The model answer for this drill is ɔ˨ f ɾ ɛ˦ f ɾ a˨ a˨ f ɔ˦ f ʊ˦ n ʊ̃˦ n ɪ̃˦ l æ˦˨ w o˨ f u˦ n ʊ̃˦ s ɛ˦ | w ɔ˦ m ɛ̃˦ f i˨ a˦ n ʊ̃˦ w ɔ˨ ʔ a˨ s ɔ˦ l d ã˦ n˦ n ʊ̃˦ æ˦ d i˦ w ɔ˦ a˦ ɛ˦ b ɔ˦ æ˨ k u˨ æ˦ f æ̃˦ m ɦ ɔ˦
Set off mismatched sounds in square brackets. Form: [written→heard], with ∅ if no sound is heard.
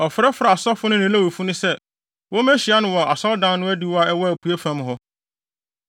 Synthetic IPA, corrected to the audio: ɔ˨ f ɾ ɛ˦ f ɾ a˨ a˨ [f→s] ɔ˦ f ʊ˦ n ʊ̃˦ n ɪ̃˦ l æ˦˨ w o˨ f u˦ n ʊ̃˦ s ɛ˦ | w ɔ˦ m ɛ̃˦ [f→ɕ] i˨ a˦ n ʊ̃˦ w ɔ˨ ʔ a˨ s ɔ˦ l d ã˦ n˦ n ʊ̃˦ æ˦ d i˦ w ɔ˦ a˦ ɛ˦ [b→w] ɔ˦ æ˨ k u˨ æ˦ f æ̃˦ m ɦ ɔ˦